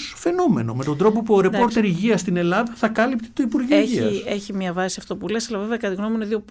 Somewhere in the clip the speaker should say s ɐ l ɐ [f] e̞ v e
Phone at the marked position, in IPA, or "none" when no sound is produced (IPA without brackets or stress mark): v